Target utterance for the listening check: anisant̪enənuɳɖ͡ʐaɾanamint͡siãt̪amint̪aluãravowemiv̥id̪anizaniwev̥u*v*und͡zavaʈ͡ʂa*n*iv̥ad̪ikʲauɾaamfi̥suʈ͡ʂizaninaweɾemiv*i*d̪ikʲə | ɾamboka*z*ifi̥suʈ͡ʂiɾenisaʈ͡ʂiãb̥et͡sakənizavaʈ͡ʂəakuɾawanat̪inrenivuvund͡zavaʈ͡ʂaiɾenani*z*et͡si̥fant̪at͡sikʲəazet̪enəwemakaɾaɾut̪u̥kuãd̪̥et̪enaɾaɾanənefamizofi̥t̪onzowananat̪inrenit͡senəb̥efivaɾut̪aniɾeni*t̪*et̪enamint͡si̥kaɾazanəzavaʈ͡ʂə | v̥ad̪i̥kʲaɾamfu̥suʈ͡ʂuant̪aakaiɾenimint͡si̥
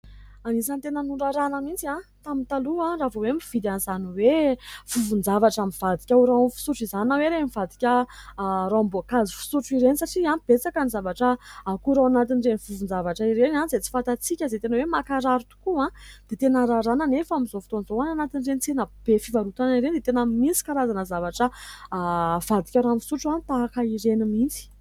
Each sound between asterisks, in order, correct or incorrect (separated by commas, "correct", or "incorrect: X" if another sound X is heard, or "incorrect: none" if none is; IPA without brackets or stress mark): correct, incorrect: m, incorrect: a, correct, correct, incorrect: d̪